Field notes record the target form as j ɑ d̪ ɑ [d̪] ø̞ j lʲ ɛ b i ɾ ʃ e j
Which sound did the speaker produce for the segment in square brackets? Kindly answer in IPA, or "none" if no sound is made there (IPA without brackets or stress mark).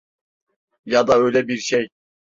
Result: none